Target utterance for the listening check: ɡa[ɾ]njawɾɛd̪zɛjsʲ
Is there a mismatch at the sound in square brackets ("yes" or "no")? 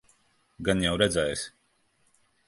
yes